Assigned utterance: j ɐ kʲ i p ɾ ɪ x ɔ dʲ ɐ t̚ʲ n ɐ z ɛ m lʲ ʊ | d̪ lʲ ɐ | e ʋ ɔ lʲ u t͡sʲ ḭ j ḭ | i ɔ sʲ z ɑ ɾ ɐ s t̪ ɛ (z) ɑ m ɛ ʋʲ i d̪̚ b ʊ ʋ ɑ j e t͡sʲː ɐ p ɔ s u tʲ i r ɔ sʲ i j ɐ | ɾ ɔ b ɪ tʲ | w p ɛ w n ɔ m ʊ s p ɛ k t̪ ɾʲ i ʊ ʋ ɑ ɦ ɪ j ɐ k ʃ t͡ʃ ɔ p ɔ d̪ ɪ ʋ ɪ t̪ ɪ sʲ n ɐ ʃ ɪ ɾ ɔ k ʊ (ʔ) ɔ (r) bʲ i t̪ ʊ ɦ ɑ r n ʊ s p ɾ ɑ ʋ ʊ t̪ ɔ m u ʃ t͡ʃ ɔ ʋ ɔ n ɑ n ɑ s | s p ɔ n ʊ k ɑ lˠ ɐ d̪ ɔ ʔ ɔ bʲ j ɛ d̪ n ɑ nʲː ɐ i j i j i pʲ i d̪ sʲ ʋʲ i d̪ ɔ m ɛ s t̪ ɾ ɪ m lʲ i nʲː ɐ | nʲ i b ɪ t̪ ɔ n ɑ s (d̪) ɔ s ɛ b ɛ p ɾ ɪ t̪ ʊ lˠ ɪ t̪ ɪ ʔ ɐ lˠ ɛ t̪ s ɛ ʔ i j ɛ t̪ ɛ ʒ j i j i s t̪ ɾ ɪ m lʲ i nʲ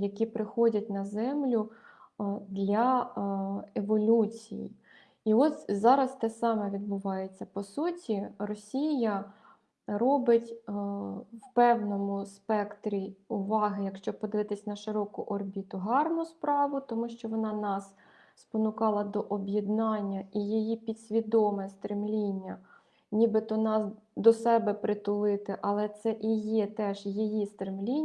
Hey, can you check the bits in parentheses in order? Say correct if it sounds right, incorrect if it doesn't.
incorrect: s, correct, correct, correct

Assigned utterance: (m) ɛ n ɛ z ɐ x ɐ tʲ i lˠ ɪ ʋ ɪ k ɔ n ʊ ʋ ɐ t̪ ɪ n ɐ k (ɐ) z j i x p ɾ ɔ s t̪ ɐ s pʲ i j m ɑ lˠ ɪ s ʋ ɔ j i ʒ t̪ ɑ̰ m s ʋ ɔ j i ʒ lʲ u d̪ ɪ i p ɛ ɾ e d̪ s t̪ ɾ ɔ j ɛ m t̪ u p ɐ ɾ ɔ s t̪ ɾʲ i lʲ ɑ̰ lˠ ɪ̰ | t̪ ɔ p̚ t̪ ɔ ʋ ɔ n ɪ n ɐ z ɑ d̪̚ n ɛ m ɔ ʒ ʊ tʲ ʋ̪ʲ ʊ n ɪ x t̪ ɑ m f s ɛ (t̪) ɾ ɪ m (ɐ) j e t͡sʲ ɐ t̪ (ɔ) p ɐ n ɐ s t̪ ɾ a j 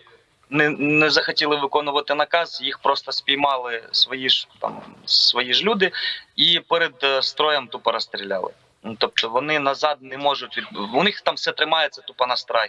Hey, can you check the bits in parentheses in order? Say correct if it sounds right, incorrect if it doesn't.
incorrect: n, incorrect: ɑ, correct, incorrect: ɑ, incorrect: u

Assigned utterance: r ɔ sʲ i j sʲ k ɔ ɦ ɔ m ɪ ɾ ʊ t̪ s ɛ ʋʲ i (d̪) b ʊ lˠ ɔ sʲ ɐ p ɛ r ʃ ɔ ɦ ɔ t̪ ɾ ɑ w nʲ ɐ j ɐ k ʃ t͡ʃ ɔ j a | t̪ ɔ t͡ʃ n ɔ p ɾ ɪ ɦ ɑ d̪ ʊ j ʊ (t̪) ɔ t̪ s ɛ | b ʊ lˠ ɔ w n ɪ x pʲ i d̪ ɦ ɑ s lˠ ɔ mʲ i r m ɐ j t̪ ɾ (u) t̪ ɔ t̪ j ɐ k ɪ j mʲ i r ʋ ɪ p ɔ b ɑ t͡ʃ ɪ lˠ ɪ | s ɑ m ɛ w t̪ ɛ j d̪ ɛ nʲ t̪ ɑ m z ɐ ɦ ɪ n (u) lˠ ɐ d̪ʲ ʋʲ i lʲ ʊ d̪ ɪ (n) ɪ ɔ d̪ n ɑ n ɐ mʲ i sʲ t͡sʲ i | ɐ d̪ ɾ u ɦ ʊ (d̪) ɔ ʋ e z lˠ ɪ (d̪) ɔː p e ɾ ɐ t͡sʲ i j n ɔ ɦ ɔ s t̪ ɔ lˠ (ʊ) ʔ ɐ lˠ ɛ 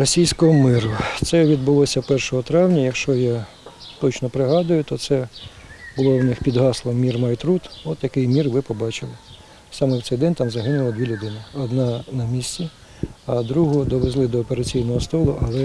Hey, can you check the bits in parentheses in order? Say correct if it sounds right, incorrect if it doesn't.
correct, correct, correct, incorrect: ʊ, correct, correct, correct, correct

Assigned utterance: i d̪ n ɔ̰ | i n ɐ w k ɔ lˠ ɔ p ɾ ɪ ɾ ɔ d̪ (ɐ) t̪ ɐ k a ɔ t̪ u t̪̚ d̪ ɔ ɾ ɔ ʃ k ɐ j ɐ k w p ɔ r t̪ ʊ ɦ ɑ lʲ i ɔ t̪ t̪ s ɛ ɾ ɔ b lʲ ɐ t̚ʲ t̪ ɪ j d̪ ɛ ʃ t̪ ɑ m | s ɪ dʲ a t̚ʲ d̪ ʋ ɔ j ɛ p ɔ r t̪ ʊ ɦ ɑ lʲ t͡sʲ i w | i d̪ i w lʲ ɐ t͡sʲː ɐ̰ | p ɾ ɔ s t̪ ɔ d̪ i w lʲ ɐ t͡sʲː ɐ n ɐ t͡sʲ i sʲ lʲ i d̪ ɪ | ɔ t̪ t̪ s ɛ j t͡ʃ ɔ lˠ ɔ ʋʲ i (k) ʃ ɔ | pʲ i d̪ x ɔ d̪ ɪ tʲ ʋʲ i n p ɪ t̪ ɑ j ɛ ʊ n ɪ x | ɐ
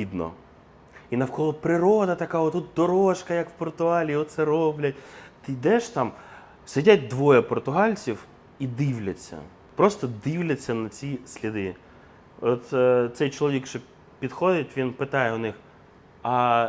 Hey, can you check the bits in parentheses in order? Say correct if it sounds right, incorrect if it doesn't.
correct, correct

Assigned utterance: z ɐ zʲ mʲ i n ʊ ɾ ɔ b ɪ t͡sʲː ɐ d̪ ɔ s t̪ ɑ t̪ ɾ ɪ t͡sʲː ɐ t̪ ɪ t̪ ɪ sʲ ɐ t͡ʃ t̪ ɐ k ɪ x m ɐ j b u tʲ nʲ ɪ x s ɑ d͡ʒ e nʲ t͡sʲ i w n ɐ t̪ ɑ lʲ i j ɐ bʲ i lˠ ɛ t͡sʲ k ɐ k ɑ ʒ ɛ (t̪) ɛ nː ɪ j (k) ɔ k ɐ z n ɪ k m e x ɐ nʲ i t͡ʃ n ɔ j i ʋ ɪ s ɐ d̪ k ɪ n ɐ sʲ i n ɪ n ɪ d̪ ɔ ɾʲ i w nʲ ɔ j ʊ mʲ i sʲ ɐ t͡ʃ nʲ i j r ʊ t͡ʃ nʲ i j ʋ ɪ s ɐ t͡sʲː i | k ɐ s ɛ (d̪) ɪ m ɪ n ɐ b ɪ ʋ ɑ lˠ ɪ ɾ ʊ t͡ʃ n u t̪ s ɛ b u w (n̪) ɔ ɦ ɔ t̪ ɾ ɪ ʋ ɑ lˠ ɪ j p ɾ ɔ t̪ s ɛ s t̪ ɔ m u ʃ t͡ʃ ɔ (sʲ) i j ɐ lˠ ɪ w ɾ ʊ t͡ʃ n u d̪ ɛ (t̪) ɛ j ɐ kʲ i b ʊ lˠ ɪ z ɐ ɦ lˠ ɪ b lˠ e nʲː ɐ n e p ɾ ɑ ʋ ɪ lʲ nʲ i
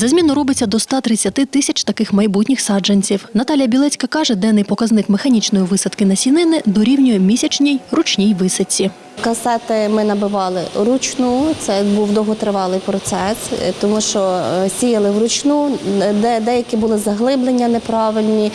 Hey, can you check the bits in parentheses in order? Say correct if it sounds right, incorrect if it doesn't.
incorrect: d̪, incorrect: p, incorrect: t̪, incorrect: d̪, correct, incorrect: d̪

